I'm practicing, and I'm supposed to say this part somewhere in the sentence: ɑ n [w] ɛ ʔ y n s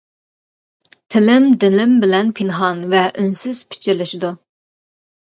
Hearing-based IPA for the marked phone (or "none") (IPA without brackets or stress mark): v